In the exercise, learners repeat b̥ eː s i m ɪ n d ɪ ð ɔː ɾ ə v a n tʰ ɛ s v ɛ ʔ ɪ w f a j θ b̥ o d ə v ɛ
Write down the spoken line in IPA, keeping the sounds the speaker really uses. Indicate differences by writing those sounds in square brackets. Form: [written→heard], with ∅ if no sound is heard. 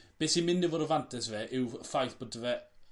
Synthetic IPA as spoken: b̥ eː s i m ɪ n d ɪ [ð→v] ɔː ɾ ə v a n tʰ ɛ s v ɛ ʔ ɪ w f a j θ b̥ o d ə v ɛ